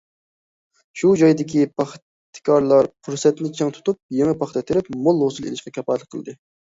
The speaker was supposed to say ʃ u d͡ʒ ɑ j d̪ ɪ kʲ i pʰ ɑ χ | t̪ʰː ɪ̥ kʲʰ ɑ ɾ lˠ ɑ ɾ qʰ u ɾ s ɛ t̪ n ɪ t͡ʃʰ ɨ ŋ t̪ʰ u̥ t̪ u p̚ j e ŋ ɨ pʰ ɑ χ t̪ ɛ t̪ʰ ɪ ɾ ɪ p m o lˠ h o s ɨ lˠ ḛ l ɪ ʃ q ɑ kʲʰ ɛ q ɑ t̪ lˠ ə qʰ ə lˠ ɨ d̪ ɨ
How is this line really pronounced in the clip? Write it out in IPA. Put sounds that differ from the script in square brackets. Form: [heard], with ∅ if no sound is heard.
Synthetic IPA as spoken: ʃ u d͡ʒ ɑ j d̪ ɪ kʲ i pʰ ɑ χ | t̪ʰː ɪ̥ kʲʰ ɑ ɾ lˠ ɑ ɾ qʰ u ɾ s ɛ t̪ n ɪ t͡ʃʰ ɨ ŋ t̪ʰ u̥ t̪ u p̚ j e ŋ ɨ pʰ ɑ χ t̪ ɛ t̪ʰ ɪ ɾ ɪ p m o lˠ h o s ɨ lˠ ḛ l ɪ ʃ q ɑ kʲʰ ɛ [p] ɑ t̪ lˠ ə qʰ ə lˠ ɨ d̪ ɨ